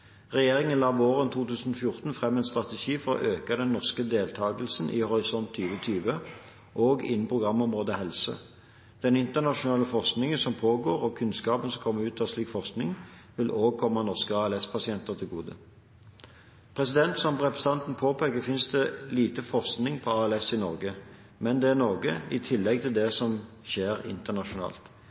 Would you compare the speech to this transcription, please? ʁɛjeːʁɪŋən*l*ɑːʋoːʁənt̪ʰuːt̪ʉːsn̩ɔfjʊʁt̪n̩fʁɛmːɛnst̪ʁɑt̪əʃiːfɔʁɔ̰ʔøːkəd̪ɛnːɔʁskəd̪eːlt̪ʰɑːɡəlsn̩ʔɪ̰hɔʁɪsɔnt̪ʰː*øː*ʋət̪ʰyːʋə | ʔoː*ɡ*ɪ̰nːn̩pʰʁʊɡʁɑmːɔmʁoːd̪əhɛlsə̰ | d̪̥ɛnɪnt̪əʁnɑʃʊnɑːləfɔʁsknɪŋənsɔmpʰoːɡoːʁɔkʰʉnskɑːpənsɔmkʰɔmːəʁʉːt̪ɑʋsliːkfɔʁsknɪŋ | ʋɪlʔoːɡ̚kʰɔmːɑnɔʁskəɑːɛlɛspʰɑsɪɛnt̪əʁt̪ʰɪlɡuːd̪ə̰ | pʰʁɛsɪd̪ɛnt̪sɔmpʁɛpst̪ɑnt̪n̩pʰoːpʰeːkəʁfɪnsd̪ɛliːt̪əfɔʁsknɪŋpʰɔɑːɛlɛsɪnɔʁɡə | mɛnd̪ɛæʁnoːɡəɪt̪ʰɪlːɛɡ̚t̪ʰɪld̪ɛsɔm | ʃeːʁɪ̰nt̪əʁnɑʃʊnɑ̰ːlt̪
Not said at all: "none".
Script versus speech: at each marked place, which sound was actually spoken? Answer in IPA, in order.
l, yː, ɡ

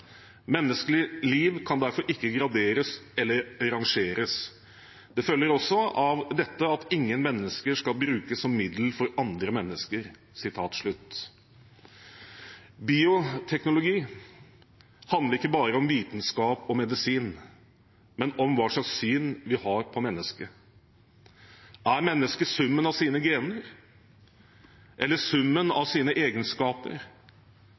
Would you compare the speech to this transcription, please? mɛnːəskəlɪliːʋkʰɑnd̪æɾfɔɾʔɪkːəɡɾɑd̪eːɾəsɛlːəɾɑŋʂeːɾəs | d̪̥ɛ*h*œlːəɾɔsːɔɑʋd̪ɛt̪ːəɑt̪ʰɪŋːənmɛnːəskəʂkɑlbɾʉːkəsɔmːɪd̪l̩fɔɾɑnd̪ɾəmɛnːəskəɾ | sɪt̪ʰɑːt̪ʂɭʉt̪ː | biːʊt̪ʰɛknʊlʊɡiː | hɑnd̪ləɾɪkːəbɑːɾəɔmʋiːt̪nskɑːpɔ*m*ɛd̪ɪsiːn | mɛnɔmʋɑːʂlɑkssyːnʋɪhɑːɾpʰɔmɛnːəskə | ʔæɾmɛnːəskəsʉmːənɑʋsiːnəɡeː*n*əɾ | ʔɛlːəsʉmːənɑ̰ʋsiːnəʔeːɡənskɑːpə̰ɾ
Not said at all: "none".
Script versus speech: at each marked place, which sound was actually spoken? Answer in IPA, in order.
f, m, n

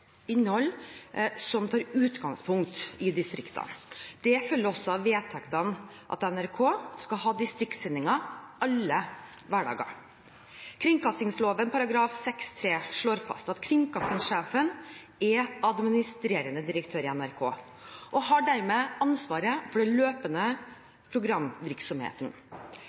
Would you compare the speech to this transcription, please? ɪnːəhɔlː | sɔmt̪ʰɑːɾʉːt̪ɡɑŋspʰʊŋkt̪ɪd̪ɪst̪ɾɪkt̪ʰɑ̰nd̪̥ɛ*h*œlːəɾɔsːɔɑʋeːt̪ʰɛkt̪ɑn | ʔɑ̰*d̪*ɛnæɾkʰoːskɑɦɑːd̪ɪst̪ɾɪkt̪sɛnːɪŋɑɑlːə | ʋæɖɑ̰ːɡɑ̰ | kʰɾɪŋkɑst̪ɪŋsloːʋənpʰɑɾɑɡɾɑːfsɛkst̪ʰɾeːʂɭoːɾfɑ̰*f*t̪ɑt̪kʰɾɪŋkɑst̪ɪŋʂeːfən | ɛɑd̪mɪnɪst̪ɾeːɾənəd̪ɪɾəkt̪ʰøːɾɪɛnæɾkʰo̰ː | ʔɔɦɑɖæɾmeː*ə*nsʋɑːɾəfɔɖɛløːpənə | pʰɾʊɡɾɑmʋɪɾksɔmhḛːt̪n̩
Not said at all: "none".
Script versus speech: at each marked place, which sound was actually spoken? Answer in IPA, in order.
f, t̪, s, ɑ

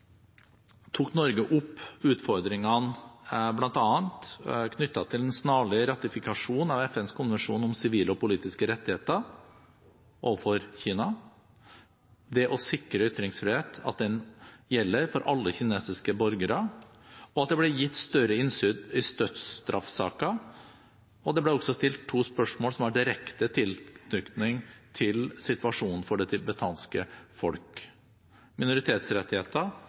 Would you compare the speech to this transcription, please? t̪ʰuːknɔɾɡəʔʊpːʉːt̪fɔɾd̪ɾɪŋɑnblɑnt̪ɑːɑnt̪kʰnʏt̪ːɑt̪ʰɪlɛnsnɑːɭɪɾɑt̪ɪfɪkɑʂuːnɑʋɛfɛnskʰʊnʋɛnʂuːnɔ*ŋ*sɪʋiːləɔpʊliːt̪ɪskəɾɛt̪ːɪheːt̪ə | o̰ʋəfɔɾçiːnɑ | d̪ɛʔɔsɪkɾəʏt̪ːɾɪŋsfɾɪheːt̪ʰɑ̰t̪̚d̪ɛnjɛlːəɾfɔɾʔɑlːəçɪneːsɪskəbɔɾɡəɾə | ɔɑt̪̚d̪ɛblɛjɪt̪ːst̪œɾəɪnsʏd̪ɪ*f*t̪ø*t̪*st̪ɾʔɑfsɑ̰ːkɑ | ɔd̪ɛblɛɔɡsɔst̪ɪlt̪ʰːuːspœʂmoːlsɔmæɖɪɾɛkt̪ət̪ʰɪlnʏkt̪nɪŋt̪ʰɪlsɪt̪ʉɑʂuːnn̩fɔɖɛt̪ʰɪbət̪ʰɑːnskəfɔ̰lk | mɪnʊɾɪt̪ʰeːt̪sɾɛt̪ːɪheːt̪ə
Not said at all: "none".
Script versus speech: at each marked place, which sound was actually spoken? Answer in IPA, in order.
m, s, t̪

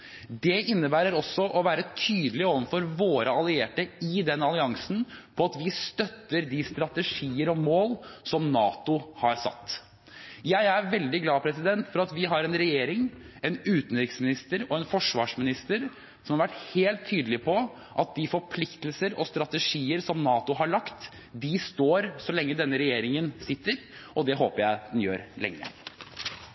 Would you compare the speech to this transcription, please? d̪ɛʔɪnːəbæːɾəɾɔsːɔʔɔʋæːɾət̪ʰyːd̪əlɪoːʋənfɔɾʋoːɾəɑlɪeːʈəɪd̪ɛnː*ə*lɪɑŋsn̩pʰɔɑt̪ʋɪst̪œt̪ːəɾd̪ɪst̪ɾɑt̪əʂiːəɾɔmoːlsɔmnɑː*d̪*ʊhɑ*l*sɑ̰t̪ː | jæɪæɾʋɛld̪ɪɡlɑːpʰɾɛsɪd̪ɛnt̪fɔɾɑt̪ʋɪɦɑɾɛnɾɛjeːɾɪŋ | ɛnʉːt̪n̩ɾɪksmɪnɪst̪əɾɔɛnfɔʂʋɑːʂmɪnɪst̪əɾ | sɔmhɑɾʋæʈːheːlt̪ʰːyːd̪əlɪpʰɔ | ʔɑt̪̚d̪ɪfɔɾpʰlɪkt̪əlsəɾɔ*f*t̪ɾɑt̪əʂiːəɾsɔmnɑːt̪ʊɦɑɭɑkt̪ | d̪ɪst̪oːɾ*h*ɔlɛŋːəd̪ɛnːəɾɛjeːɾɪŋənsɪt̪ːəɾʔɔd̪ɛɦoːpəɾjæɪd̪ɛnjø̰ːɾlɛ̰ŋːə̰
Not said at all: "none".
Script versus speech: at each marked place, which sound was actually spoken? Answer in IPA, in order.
ɑ, t̪, ɾ, s, s

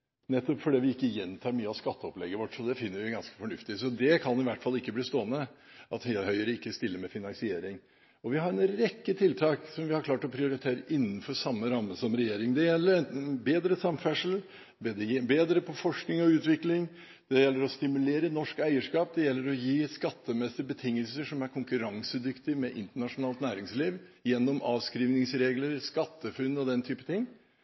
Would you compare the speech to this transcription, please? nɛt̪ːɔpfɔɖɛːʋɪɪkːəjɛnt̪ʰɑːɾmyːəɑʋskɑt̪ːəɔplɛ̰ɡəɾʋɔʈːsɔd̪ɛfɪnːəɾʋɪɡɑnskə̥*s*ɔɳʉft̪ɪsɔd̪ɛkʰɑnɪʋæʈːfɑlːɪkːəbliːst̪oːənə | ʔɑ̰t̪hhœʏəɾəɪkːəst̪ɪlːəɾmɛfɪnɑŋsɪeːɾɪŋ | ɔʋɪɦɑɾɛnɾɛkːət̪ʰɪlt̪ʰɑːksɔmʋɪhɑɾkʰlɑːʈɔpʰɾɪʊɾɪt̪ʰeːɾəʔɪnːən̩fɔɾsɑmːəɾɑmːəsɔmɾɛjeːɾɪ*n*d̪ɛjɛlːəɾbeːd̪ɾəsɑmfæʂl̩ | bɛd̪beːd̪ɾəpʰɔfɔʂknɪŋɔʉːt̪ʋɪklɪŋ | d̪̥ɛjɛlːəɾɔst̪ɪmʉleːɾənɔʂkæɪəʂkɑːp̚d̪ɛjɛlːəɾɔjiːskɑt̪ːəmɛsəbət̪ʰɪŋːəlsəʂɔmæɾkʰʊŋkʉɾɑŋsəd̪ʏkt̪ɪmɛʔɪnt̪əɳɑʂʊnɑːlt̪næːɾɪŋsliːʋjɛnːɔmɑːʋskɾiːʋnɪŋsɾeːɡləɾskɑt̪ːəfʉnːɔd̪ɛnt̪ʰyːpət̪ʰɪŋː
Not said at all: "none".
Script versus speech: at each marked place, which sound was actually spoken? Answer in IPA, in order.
f, ŋ

